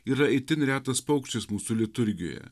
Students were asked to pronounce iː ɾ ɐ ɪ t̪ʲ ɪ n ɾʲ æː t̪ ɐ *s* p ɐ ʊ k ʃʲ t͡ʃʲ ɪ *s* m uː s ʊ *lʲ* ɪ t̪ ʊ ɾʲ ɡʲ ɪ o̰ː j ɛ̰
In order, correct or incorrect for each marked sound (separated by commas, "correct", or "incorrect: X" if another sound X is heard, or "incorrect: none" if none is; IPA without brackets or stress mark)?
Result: correct, correct, correct